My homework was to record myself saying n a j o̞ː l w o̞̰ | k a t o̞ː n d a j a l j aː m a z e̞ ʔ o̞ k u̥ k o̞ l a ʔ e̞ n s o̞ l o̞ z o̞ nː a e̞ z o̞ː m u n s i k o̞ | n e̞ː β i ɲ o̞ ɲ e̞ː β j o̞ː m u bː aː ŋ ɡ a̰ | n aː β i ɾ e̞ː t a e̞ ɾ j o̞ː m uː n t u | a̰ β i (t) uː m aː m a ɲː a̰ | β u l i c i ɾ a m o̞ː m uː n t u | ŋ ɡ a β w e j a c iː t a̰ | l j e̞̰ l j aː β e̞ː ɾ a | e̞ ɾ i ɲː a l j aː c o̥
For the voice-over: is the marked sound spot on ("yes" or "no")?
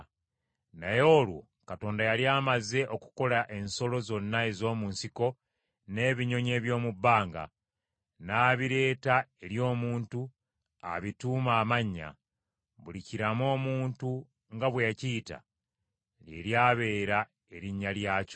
yes